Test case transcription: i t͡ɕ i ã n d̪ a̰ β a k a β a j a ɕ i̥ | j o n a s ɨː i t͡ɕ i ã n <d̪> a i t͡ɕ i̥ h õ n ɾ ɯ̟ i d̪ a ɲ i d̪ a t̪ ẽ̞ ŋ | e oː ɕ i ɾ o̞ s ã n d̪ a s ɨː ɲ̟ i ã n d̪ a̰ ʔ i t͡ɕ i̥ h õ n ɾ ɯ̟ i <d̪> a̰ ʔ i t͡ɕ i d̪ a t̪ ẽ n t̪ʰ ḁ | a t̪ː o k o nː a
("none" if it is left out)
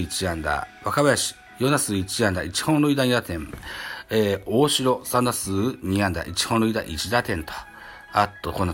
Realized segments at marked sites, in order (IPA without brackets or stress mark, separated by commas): d̪, d̪